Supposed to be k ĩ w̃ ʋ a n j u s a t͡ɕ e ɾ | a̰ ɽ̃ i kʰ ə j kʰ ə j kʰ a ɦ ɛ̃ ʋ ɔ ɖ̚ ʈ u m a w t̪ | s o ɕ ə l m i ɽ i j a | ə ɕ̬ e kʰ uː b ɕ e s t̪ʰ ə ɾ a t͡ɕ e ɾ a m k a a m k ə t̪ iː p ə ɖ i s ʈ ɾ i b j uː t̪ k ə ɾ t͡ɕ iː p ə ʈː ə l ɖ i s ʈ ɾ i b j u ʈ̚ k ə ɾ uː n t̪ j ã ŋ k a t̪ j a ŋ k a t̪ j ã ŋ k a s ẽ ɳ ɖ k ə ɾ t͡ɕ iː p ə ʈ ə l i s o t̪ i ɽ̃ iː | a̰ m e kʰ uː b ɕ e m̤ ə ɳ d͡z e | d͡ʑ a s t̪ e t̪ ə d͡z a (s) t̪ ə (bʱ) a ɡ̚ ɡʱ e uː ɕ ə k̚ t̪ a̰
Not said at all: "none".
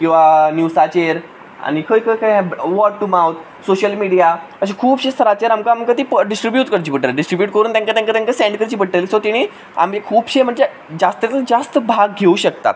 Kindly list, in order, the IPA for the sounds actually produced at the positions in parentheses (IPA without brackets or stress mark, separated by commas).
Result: s, bʱ